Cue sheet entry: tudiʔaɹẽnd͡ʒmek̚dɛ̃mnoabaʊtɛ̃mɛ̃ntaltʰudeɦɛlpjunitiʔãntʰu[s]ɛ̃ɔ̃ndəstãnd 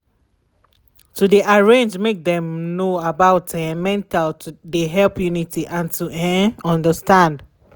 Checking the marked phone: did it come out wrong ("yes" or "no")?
yes